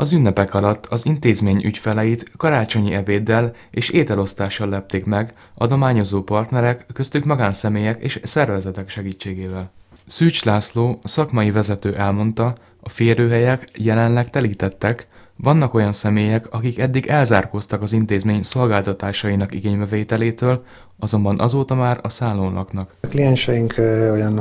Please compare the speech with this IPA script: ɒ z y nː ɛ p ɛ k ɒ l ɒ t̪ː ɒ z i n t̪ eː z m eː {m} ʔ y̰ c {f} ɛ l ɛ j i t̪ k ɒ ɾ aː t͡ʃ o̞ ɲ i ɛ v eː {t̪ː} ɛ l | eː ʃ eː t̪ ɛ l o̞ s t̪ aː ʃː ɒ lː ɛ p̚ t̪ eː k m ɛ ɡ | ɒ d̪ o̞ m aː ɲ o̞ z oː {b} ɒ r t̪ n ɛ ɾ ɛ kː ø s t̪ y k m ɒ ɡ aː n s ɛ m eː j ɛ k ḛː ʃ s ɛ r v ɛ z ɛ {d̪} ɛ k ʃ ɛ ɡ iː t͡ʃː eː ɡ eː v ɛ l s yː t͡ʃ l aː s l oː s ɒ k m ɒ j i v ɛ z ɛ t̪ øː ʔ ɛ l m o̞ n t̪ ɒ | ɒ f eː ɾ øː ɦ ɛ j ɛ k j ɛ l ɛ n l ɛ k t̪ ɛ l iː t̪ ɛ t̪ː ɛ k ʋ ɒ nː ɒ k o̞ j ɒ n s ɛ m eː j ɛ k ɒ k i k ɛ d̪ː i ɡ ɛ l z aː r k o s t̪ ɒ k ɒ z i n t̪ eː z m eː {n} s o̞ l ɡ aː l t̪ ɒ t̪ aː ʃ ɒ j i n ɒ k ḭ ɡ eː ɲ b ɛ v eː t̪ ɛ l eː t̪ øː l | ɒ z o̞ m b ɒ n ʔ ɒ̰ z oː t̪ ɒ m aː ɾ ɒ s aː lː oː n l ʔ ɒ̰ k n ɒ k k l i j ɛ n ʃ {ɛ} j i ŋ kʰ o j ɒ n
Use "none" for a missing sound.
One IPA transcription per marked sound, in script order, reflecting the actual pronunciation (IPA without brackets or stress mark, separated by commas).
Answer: ɲ, f, d̪ː, p, t̪, ɲ, ɛ